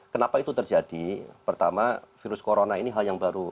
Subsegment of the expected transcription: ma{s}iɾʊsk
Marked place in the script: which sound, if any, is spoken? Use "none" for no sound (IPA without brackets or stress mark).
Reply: f